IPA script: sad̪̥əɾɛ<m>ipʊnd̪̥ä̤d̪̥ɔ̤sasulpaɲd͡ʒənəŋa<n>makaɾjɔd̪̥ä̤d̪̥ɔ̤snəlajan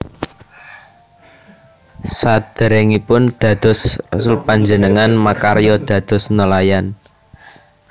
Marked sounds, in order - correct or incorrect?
incorrect: ŋ, correct

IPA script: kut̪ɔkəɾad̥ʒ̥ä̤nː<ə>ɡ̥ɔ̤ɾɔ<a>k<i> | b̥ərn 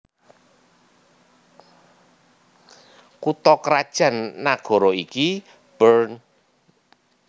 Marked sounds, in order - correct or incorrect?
incorrect: a, incorrect: i, correct

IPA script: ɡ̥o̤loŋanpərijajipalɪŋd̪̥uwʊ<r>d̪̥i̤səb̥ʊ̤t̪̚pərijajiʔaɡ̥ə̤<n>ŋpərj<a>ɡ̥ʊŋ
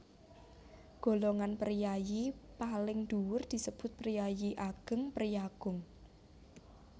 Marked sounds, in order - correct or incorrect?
correct, incorrect: none, correct

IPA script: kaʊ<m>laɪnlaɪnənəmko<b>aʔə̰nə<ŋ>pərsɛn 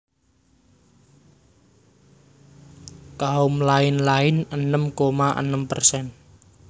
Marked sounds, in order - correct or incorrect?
correct, incorrect: m, incorrect: m

